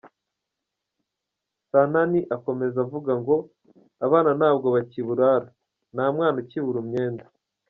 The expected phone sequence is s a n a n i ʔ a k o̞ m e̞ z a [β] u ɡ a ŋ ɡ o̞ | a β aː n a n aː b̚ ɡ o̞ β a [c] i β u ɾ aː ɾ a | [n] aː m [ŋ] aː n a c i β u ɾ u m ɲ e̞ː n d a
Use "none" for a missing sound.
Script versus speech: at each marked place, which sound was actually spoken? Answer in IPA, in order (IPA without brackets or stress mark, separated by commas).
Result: v, c, n, ŋ